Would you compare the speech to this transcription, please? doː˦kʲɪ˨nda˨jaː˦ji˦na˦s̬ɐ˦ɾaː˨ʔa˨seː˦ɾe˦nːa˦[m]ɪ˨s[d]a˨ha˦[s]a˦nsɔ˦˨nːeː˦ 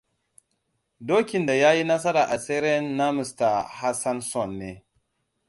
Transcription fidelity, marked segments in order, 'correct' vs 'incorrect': correct, incorrect: t, correct

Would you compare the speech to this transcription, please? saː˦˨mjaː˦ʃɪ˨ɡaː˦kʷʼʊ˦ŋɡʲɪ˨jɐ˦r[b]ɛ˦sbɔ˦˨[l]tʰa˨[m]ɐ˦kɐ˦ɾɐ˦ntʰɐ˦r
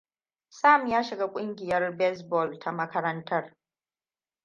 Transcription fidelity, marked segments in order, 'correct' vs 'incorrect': correct, correct, correct

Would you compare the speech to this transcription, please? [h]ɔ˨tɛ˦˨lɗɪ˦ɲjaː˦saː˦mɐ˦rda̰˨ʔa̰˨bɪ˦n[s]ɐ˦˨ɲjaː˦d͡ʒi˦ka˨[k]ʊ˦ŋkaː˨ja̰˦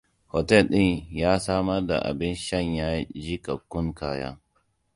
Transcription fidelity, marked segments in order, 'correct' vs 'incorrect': correct, incorrect: ʃ, correct

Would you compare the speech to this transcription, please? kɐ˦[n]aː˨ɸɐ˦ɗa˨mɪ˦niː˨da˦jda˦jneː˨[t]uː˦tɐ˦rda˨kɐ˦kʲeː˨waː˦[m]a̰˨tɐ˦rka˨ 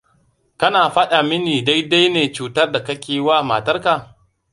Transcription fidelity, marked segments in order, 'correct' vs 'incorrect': correct, incorrect: t͡ʃ, correct

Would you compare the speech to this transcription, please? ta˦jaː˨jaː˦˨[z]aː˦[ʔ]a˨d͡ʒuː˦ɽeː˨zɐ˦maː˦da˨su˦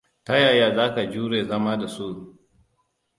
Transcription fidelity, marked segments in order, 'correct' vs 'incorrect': correct, incorrect: k

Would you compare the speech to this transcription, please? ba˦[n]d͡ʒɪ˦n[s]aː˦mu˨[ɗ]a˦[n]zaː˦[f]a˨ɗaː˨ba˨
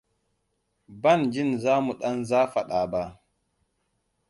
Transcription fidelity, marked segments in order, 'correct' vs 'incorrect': correct, incorrect: z, correct, correct, correct

